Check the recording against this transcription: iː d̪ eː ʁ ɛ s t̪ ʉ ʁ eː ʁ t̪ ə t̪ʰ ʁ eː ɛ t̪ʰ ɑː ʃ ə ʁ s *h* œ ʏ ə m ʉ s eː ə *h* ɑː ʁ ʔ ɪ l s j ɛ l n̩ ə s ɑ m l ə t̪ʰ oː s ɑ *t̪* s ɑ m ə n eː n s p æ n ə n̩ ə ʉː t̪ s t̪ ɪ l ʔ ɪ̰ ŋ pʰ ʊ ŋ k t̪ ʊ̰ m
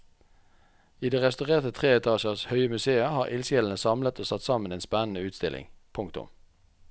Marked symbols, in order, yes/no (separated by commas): yes, yes, yes